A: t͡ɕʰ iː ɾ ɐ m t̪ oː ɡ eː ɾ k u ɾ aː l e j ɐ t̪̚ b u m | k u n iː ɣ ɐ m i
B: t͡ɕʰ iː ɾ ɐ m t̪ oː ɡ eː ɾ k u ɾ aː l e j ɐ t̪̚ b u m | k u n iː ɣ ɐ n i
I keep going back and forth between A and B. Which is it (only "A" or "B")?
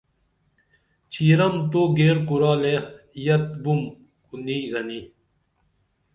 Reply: B